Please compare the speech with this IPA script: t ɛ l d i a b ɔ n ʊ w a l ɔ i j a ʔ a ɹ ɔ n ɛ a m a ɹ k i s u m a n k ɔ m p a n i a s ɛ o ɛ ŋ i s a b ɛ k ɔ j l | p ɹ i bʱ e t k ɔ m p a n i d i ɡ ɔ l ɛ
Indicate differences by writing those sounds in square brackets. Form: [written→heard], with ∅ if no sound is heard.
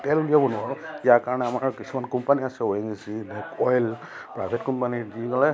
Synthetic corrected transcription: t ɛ l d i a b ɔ n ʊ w a [l→ɹ] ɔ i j a [ʔ→k] a ɹ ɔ n ɛ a m a ɹ k i s u m a n k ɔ m p a n i a s ɛ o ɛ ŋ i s [a→i] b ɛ k ɔ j l | p ɹ [i→a] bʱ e t k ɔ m p a n i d i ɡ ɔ l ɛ